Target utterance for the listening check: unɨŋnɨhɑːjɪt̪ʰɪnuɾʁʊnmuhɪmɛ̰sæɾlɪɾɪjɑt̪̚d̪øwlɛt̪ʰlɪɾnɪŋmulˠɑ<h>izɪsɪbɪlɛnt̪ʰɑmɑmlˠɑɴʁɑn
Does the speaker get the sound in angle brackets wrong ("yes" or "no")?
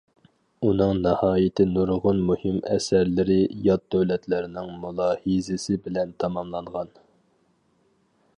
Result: no